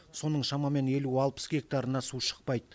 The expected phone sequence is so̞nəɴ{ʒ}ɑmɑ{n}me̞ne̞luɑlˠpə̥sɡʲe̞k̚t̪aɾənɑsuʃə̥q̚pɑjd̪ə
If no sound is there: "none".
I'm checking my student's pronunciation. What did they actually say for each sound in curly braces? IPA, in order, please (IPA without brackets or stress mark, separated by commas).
ʃ, none